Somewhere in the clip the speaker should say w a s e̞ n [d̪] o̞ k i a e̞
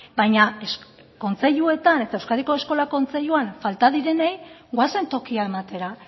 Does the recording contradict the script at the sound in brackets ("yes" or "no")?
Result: yes